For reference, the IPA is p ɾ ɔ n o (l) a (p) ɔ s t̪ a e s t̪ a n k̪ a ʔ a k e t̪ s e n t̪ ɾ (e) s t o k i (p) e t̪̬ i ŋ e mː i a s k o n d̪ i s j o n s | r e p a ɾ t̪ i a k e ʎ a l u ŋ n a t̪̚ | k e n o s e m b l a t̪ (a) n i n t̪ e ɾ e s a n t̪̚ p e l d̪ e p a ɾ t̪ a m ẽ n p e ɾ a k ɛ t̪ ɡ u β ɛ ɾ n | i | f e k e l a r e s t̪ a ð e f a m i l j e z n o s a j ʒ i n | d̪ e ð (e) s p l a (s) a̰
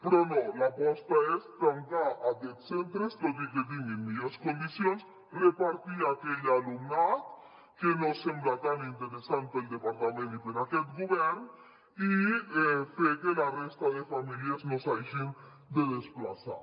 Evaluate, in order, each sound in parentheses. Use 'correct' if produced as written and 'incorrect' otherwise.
correct, correct, correct, incorrect, correct, correct, correct

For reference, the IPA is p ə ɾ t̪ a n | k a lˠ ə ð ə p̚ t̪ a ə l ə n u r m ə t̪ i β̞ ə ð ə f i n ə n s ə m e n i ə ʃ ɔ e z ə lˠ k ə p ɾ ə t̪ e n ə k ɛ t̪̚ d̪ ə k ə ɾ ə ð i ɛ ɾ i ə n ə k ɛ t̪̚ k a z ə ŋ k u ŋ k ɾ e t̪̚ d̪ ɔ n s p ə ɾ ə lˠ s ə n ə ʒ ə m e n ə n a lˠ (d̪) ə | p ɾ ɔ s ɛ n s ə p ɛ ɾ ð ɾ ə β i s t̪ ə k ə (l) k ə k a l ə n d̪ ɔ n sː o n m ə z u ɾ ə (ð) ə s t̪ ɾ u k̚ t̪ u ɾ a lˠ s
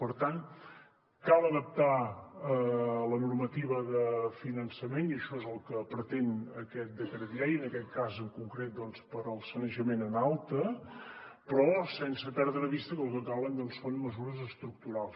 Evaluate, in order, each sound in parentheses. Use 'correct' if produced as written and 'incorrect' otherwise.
incorrect, correct, incorrect

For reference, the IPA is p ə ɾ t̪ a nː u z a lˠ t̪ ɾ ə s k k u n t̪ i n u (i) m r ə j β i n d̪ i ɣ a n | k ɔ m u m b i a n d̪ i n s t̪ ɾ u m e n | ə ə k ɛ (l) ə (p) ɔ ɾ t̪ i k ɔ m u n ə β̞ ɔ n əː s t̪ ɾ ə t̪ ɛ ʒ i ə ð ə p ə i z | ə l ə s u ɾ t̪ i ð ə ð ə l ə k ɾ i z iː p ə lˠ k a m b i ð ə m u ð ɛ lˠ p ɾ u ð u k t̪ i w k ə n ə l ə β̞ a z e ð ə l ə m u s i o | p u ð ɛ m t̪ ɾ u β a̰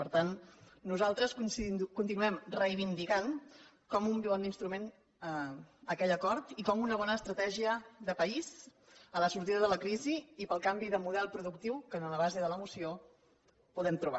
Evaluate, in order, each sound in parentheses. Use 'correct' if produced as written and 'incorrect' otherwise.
incorrect, incorrect, incorrect

